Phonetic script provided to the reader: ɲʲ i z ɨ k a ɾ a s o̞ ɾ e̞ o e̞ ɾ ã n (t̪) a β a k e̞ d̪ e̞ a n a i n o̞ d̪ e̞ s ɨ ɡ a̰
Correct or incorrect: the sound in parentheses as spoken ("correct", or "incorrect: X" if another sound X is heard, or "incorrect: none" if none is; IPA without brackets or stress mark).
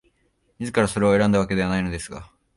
incorrect: d̪